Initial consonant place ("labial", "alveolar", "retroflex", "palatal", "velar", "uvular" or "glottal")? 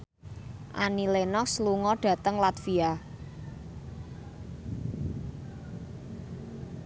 glottal